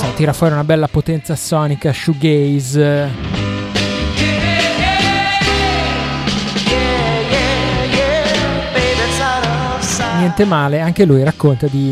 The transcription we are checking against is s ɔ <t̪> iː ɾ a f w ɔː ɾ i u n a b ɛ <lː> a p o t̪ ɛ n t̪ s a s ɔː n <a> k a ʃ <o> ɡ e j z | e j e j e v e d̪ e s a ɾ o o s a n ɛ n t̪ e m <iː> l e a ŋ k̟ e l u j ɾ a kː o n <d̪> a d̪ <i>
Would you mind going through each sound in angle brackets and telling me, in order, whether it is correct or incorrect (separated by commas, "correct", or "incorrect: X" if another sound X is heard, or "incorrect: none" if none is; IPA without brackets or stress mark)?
correct, correct, incorrect: i, incorrect: u, incorrect: aː, incorrect: t̪, correct